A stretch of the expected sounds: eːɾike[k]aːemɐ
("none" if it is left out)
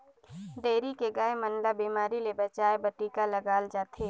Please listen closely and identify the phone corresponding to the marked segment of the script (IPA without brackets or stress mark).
ɡ